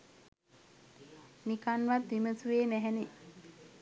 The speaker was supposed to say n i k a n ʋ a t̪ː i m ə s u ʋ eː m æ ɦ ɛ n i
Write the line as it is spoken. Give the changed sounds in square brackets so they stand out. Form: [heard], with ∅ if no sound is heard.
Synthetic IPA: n i k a n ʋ a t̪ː i m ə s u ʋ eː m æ ɦ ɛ n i